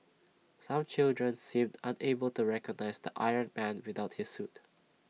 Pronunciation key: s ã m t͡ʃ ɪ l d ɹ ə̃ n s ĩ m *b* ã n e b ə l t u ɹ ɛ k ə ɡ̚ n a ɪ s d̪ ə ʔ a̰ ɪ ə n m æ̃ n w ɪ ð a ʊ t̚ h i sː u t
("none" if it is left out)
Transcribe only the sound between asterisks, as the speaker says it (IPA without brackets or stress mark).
d